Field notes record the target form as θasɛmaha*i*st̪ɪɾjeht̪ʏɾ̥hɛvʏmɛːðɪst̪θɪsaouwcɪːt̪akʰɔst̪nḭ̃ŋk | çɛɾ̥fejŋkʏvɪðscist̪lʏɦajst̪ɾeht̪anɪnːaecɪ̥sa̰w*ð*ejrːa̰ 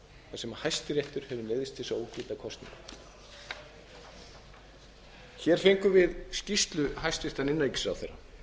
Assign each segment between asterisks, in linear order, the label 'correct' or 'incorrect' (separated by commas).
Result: incorrect, incorrect